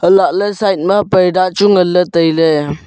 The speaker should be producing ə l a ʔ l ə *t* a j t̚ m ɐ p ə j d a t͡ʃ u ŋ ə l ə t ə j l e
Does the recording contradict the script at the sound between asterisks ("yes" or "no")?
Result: yes